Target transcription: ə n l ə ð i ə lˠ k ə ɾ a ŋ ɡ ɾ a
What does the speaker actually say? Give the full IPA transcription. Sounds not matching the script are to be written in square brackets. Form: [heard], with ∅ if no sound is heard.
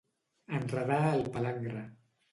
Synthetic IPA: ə n [r] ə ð [a] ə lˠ [p] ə [l] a ŋ ɡ ɾ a